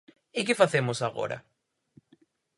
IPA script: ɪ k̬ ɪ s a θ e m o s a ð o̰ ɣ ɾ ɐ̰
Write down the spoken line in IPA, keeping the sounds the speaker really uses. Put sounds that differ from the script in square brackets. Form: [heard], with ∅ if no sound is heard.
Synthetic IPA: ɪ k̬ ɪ [f] a θ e m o s a [ɣ] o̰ [∅] ɾ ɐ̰